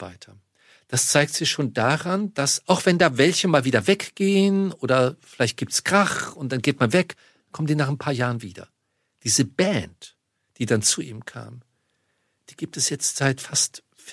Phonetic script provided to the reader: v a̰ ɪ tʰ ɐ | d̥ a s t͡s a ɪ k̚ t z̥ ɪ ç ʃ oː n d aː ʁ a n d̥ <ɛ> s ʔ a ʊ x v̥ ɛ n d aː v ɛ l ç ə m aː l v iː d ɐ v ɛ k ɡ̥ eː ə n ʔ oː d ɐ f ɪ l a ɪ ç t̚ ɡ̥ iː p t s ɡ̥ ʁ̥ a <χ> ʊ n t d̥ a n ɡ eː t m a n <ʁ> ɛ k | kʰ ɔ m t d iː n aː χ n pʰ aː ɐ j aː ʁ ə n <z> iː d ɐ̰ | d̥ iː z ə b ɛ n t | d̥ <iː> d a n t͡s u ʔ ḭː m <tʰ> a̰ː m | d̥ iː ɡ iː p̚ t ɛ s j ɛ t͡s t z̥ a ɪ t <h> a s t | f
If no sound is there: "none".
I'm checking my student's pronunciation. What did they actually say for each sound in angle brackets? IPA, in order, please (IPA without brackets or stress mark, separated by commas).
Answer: a, χ, v, v, iː, kʰ, f